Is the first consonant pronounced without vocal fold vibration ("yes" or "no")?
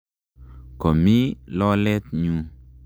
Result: yes